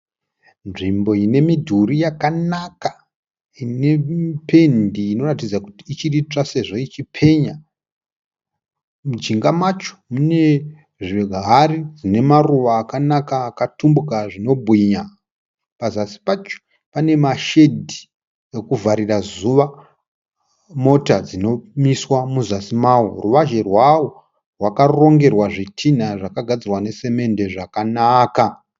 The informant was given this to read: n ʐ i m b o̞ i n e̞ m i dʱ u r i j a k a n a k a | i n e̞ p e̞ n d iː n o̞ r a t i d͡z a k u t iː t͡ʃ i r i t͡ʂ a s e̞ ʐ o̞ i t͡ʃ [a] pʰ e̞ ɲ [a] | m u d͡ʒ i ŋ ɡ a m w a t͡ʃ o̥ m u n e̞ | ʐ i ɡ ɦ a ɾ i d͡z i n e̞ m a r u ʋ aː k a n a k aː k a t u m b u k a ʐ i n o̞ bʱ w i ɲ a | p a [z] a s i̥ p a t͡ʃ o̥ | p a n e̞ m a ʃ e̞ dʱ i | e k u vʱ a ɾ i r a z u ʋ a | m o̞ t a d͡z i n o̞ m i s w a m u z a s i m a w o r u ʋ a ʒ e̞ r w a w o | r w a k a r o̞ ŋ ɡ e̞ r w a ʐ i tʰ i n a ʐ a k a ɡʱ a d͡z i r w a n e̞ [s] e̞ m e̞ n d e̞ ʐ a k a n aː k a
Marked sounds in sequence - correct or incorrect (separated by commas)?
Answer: incorrect, correct, correct, correct